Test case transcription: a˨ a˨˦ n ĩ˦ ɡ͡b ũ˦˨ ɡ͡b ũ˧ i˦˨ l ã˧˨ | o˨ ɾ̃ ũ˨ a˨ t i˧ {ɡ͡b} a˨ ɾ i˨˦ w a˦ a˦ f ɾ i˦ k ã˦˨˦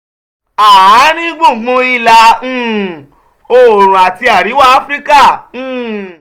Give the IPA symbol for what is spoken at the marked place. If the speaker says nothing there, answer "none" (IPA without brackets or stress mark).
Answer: none